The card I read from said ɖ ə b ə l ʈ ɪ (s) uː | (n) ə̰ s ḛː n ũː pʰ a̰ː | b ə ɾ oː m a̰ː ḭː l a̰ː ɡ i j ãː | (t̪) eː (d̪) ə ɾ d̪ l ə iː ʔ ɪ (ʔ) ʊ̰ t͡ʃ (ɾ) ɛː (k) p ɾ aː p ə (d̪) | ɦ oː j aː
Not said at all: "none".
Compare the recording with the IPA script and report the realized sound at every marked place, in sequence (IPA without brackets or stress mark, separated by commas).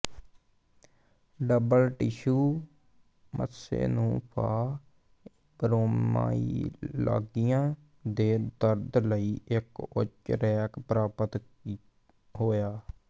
ʃ, m, d̪, d̪, k, ɾ, k, t̪